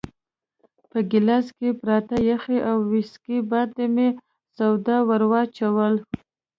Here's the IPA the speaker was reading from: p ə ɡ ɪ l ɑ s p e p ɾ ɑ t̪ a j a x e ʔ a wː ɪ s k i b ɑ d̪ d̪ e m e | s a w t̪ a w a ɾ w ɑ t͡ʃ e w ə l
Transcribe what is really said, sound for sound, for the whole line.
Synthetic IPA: p ə ɡ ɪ l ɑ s k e p ɾ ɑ t̪ a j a x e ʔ a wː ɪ s k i b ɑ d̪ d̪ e m e | s a w d̪ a w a ɾ w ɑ t͡ʃ a w ə l